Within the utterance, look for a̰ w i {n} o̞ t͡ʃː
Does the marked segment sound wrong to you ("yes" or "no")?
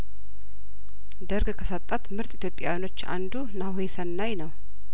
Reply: no